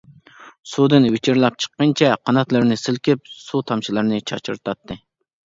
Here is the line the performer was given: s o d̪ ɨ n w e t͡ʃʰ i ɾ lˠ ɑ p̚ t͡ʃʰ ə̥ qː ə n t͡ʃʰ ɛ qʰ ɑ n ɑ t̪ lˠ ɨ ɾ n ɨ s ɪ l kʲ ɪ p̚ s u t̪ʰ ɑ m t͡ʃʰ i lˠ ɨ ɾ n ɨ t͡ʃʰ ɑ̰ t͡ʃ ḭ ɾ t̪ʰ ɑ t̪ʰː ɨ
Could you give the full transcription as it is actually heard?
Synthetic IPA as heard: s u d̪ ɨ n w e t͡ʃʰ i ɾ lˠ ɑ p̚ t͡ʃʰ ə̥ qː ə n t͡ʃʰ ɛ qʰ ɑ n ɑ t̪ lˠ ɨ ɾ n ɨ s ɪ l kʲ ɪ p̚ s u t̪ʰ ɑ m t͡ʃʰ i lˠ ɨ ɾ n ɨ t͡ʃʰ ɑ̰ t͡ʃ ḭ ɾ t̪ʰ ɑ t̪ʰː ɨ